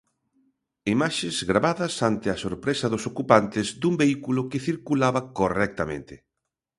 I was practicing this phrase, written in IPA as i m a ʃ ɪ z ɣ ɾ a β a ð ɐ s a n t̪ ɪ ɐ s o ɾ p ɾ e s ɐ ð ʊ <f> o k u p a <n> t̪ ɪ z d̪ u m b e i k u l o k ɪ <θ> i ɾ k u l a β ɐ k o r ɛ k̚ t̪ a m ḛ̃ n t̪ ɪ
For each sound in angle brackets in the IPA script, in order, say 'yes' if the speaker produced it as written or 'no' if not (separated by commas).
no, yes, yes